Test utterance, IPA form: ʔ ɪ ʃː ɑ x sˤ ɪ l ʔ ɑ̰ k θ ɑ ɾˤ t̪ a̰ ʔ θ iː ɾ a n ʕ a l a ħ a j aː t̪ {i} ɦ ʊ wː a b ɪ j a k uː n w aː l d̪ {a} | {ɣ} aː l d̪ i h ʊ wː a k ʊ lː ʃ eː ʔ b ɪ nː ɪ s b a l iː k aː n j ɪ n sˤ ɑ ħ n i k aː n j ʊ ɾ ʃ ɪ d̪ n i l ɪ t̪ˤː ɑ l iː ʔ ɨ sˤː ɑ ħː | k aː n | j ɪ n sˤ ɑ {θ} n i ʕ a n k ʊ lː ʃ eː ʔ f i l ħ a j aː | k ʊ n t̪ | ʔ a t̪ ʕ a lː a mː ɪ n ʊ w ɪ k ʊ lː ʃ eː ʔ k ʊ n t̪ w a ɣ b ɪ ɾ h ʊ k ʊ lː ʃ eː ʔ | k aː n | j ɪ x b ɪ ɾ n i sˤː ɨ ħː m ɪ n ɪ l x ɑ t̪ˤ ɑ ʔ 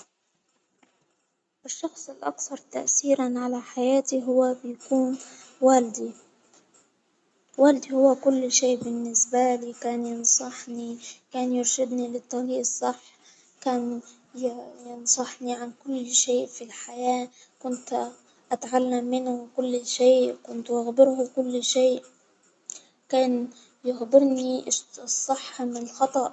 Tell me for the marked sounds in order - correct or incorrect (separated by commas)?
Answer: correct, incorrect, incorrect, incorrect